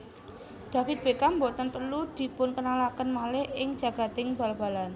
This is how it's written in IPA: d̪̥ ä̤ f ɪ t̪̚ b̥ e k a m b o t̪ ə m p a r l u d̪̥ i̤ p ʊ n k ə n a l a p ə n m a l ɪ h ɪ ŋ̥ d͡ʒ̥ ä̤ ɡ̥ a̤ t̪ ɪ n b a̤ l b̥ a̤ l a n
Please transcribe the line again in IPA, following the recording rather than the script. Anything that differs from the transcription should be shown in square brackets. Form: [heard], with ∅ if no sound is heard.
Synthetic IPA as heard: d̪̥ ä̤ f ɪ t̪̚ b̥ e k a m b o t̪ ə [n] p [ə] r l u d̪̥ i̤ p ʊ n k ə n a l a [k] ə n m a l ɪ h ɪ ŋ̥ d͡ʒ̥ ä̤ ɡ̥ a̤ t̪ ɪ [ŋ] b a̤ l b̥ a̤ l a n